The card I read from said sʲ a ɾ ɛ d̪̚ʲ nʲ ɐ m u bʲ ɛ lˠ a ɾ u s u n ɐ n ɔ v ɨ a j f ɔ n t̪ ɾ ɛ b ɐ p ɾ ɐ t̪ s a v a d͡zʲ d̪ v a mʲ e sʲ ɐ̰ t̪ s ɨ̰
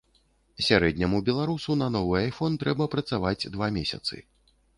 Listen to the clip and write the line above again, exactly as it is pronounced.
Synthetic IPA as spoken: sʲ a ɾ ɛ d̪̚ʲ nʲ ɐ m u bʲ ɛ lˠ a ɾ u s u n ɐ n ɔ v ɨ a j f ɔ n t̪ ɾ ɛ b ɐ p ɾ ɐ t̪ s a v a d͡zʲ d̪ v a mʲ e sʲ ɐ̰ t̪ s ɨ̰